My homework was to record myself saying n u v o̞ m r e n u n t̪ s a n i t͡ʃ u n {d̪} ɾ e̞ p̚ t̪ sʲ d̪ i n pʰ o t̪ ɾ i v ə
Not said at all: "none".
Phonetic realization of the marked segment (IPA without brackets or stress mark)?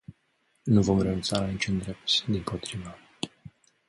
d̪